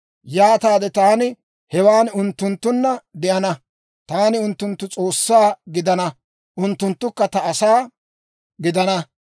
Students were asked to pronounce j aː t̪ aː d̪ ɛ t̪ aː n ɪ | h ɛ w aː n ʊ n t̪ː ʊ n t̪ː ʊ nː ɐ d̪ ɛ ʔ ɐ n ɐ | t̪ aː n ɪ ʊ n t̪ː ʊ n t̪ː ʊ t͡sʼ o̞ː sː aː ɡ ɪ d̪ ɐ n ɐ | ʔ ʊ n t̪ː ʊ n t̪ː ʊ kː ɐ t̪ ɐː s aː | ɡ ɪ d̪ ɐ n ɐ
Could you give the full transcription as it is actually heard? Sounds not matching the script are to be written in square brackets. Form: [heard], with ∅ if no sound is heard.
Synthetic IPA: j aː t̪ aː d̪ ɛ t̪ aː n ɪ | h ɛ w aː n ʊ n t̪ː ʊ n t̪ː ʊ nː ɐ d̪ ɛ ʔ ɐ n ɐ | t̪ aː n ɪ ʊ n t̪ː ʊ n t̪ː ʊ t͡sʼ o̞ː sː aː ɡ ɪ d̪ ɐ n ɐ | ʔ ʊ n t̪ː ʊ n t̪ː ʊ kː ɐ t̪ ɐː s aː | ɡ ɪ d̪ ɐ n ɐ